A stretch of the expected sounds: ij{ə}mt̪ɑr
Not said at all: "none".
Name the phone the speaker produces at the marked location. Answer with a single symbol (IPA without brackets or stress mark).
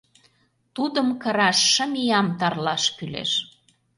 ɑ